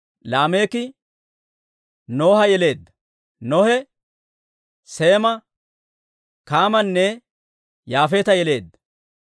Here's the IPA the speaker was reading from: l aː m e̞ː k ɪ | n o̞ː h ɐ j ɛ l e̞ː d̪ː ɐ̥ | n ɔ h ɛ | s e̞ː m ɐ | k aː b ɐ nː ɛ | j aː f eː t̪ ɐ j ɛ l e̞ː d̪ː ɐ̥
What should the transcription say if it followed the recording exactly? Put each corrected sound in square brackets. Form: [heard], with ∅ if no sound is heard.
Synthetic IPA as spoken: l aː m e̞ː k ɪ | n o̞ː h ɐ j ɛ l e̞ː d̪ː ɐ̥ | n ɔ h ɛ | s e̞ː m ɐ | k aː [m] ɐ nː ɛ | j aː f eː t̪ ɐ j ɛ l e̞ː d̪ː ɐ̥